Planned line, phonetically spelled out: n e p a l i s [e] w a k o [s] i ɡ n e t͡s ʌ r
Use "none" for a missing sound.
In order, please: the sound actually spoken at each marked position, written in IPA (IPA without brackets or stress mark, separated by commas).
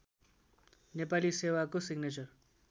e, s